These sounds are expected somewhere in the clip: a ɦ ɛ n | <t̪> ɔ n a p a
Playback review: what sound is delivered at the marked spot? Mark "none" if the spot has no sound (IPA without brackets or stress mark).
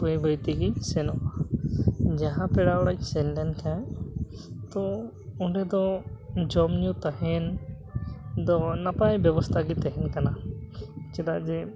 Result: d̪